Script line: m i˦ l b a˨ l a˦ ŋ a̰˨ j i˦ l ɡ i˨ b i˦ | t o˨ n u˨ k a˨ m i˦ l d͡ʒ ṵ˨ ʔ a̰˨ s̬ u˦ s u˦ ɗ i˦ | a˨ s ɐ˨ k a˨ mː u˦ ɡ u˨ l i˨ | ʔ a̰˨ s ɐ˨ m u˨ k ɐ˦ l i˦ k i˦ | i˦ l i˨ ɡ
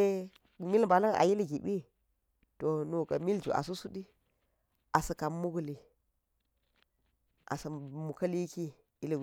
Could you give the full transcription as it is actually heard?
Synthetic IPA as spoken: m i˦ l b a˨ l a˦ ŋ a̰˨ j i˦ l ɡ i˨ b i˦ | t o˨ n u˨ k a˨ m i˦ l d͡ʒ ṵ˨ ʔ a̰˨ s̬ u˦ s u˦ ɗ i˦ | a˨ s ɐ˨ k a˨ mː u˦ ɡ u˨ l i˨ | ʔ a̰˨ s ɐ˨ m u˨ k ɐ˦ l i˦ k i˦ | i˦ l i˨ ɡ

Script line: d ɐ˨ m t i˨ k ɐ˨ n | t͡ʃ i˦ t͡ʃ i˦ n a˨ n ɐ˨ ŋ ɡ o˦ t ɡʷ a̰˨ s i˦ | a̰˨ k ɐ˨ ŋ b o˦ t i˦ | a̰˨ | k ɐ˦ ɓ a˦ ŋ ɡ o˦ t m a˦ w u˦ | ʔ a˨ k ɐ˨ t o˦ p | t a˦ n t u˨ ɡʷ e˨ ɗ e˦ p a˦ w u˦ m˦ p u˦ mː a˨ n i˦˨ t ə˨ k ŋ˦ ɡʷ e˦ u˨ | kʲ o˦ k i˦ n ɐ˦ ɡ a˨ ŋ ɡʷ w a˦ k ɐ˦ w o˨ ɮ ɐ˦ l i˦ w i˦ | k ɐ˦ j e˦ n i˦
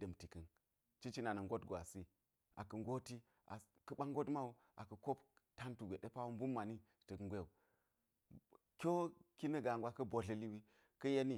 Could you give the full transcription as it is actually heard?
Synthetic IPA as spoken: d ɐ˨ m t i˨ k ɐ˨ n | t͡ʃ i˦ t͡ʃ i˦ n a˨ n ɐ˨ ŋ ɡ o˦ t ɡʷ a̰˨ s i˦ | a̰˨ k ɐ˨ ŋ ɡ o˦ t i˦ | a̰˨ | k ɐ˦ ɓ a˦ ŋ ɡ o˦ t m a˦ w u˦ | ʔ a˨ k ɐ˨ k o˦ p | t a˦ n t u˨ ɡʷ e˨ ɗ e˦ p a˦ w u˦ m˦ b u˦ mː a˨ n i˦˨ t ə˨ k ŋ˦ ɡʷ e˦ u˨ | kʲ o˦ k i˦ n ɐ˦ ɡ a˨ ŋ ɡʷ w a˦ k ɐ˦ b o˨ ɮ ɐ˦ l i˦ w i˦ | k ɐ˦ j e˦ n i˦

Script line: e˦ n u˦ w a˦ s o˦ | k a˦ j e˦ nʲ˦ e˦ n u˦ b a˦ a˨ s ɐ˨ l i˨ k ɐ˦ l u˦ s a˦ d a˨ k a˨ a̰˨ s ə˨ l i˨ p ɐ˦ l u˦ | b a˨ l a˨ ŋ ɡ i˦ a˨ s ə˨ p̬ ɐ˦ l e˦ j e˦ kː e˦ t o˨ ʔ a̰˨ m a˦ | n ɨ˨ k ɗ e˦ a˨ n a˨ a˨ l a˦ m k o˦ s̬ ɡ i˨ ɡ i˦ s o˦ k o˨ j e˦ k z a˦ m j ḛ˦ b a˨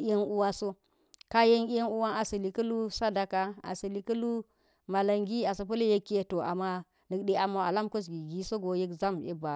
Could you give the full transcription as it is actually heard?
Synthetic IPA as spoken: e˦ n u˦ w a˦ s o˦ | k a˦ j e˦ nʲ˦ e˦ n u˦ w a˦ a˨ s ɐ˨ l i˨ k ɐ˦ l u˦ s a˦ d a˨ k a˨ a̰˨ s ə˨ l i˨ k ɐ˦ l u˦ | m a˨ l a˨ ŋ ɡ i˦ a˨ s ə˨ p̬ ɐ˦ l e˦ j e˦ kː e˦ t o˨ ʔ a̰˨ m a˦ | n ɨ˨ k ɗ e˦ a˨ m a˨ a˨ l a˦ m k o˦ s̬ ɡ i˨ ɡ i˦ s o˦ ɡ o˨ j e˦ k z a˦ m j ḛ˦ b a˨

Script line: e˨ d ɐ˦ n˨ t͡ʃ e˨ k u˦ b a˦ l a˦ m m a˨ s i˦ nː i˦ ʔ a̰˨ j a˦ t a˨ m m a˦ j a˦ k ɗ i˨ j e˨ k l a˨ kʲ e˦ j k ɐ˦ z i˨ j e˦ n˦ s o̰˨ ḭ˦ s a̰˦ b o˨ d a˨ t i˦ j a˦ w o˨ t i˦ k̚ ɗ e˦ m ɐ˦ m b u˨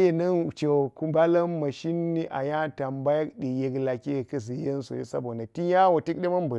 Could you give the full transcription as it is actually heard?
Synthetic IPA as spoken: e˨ n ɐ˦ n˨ t͡ʃ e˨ k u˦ b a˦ l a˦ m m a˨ ʃ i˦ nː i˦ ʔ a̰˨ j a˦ t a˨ m b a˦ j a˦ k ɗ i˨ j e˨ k l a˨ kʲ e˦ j k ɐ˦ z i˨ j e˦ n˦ s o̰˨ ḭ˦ s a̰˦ b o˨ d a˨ t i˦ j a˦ w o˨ t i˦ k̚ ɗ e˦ m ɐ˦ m b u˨

